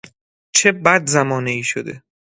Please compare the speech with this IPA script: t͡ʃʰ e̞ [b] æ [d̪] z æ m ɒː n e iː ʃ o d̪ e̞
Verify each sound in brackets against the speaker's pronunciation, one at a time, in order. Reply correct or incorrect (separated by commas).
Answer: correct, correct